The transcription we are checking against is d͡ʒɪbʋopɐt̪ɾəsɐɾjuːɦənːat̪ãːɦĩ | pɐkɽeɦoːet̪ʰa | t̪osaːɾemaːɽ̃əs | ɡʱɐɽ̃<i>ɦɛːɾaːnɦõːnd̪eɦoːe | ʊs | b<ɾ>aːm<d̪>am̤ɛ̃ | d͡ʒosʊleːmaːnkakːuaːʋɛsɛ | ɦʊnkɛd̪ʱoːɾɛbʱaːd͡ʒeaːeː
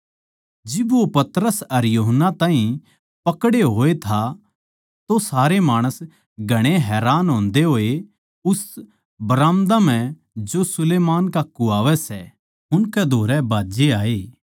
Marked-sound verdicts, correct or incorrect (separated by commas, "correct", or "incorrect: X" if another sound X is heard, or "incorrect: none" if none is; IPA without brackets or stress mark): incorrect: e, correct, correct